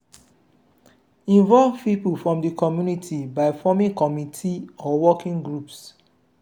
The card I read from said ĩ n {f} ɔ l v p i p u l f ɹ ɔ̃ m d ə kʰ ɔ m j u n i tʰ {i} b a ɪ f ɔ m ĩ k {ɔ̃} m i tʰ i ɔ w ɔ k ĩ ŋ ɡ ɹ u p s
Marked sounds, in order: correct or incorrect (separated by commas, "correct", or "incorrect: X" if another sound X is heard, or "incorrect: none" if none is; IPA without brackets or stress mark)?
incorrect: v, correct, incorrect: ɔ